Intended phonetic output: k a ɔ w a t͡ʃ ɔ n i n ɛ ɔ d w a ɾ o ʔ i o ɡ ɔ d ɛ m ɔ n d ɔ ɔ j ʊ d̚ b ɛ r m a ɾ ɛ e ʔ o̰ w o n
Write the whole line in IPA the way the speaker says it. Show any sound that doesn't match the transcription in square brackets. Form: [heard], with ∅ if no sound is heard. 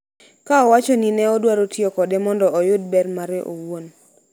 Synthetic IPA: k a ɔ w a t͡ʃ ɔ n i n ɛ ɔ d w a ɾ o [t] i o [k] ɔ d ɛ m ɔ n d ɔ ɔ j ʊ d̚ b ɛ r m a ɾ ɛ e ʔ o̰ w o n